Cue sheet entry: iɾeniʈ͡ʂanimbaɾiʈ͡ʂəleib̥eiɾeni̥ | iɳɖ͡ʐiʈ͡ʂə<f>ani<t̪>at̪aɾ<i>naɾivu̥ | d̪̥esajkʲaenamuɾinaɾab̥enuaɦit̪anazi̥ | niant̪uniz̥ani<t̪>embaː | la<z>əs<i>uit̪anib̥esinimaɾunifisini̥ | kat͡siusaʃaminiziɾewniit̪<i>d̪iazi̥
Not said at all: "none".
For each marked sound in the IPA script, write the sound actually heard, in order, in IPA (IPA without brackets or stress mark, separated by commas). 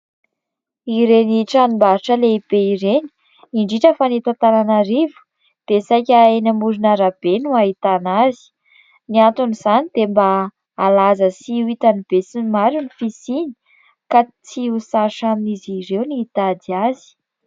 f, t̪, a, d̪, z, i, a